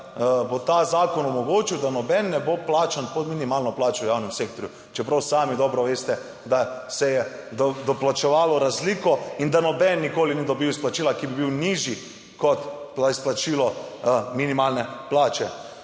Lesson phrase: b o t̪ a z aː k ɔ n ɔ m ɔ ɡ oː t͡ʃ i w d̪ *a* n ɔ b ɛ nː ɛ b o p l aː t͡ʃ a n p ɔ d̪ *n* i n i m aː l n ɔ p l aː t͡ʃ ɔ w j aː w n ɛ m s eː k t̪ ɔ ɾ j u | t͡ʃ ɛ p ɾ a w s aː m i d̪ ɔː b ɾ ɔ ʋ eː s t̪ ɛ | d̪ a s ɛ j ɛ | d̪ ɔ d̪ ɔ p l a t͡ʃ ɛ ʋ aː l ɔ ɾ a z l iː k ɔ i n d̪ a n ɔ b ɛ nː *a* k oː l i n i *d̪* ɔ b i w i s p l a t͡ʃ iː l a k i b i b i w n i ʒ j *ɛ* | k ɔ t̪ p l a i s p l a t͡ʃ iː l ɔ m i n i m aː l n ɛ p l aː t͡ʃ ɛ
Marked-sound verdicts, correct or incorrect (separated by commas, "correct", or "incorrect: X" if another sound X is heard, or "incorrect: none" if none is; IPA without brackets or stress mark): correct, incorrect: m, incorrect: i, correct, incorrect: i